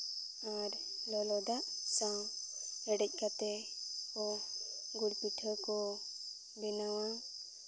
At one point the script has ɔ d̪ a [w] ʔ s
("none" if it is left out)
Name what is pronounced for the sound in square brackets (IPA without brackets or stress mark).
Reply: none